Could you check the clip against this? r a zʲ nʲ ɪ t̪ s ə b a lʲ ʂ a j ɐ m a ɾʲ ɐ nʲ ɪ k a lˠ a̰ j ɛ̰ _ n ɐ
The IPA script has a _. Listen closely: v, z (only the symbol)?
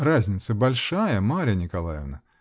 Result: v